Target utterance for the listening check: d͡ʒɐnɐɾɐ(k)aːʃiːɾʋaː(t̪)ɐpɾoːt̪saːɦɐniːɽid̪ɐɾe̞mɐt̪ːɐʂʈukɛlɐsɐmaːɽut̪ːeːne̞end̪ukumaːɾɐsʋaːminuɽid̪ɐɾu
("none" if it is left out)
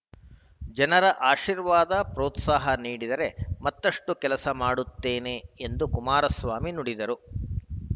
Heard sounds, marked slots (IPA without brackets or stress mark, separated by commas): ʔ, d̪